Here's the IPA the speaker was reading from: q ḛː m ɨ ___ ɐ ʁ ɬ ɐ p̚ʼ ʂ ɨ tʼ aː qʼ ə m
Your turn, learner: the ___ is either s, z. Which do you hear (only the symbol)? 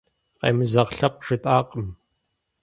z